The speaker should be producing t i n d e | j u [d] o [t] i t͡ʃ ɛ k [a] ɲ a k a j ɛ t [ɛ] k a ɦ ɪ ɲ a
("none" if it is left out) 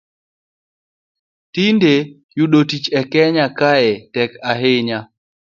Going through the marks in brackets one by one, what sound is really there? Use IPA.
ɗ, t, ɛ, ɛ

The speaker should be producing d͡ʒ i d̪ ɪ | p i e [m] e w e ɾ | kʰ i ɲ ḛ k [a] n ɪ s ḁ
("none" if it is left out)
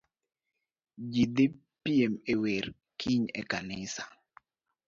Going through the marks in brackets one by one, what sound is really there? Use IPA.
m, a

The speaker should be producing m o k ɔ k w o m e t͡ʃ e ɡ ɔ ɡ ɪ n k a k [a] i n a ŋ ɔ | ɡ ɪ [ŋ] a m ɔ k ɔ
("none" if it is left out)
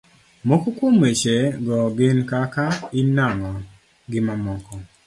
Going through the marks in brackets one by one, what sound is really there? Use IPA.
a, m

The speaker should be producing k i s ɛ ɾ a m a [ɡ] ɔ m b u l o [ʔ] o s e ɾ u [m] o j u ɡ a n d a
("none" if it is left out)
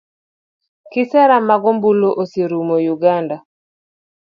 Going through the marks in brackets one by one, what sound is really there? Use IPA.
ɡ, ʔ, m

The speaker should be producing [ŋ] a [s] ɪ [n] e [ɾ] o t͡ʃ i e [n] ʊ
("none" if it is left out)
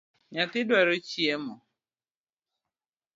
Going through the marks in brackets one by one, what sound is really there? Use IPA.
ɲ, t, d, ɾ, m

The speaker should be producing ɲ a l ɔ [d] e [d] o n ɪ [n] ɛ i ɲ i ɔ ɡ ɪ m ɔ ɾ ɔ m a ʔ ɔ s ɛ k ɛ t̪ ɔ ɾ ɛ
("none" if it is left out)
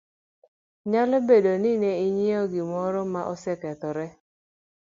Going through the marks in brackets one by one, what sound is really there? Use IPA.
b, d, n

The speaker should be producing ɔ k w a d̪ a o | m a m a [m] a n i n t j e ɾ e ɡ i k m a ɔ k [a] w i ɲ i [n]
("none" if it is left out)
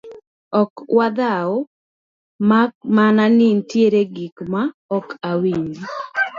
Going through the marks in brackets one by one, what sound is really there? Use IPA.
n, a, none

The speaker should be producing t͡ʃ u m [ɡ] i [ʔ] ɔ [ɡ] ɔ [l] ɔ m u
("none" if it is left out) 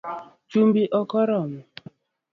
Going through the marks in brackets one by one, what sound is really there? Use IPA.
b, ʔ, k, ɾ

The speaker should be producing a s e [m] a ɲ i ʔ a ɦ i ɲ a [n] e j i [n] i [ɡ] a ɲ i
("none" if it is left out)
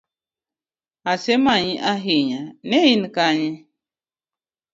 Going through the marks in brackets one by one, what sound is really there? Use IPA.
m, n, n, k

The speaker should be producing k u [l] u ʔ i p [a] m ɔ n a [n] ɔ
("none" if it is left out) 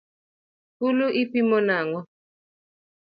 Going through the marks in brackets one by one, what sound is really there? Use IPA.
l, i, ŋ

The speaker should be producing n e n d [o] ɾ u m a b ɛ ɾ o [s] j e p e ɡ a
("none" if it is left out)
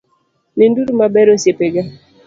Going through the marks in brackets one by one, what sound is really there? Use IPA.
u, s

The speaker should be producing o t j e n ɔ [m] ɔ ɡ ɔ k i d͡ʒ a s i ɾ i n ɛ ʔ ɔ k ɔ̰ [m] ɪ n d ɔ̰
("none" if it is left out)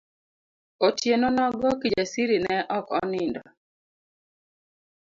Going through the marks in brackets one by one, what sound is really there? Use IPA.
n, n

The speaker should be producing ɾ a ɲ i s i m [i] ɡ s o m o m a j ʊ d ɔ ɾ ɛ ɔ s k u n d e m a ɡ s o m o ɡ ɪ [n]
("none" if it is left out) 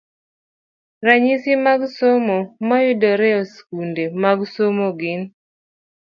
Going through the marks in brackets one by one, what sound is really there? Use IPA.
a, n

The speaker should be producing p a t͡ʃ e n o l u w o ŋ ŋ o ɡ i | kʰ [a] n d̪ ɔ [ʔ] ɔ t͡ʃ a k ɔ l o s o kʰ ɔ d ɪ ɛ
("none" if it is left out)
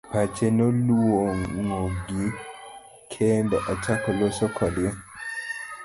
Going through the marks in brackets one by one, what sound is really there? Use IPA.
e, ʔ

